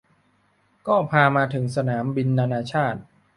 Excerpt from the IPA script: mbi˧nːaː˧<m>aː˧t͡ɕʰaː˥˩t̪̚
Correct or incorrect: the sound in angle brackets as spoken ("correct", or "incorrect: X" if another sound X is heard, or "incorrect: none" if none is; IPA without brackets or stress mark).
incorrect: n